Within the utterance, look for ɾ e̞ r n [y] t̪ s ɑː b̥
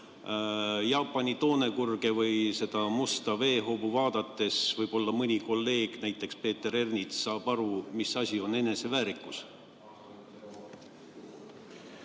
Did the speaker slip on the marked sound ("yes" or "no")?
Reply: yes